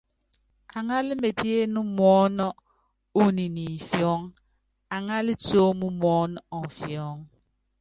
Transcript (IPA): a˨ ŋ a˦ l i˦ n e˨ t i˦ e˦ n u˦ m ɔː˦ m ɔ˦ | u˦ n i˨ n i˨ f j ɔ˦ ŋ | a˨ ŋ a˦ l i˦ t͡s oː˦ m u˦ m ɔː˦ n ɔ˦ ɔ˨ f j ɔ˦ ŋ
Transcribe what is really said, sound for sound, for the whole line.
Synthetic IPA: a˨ ŋ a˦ l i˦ m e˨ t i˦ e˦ n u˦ m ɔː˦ n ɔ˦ | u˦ n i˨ n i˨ f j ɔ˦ ŋ | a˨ ŋ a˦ l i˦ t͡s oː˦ m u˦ m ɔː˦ n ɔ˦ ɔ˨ f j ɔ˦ ŋ